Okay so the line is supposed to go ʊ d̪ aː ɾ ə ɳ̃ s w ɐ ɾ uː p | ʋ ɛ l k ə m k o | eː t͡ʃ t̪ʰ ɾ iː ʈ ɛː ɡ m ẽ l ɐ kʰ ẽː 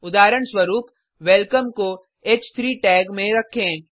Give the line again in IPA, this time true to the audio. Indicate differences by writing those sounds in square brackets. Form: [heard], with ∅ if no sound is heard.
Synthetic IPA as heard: ʊ d̪ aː ɾ ə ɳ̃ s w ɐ ɾ uː p | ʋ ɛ l k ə m k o | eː t͡ʃ t̪ʰ ɾ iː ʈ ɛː ɡ m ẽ [ɾ] ɐ kʰ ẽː